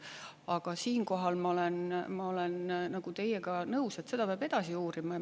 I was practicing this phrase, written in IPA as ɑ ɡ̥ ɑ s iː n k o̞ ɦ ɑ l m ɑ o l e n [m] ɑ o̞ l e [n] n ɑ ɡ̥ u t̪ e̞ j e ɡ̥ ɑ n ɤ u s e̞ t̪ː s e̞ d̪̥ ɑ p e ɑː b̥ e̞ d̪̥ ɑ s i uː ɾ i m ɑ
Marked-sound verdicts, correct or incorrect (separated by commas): correct, correct